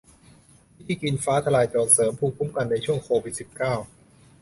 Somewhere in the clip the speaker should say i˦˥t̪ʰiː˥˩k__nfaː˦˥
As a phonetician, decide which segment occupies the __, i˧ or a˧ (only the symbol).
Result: i˧